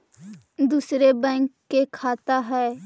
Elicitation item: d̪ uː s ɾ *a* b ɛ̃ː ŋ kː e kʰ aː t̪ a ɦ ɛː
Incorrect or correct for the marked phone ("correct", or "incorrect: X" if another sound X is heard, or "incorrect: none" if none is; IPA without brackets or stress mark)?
incorrect: e